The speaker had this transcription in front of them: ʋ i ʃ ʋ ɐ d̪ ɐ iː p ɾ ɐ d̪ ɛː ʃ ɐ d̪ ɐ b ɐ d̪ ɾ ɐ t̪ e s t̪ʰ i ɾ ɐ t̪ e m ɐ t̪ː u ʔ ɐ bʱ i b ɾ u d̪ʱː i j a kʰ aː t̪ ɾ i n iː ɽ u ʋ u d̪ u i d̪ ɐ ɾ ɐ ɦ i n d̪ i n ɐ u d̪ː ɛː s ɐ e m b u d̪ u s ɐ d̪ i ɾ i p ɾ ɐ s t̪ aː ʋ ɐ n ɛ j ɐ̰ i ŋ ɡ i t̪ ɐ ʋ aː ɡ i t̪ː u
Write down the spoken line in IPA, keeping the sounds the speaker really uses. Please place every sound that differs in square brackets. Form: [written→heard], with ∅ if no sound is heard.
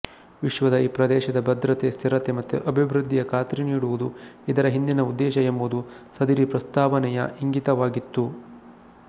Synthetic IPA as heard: ʋ i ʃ ʋ ɐ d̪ ɐ iː p ɾ ɐ d̪ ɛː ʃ ɐ d̪ ɐ b ɐ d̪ ɾ ɐ t̪ e s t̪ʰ i ɾ ɐ t̪ e m ɐ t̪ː u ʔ ɐ bʱ i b ɾ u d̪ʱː i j [a→ɐ] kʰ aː t̪ ɾ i n iː ɽ u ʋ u d̪ u i d̪ ɐ ɾ ɐ ɦ i n d̪ i n ɐ u d̪ː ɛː [s→ʃ] ɐ e m b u d̪ u s ɐ d̪ i ɾ i p ɾ ɐ s t̪ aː ʋ ɐ n ɛ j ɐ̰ i ŋ ɡ i t̪ ɐ ʋ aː ɡ i t̪ː u